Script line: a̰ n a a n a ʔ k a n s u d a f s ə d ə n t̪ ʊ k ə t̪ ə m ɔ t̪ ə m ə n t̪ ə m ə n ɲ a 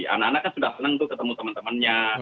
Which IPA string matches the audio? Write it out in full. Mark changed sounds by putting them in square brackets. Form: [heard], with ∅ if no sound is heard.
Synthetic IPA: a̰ n a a n a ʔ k a n s u d a [h] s ə [n] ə [ŋ] t̪ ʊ k ə t̪ ə m [u] t̪ ə m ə n t̪ ə m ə n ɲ a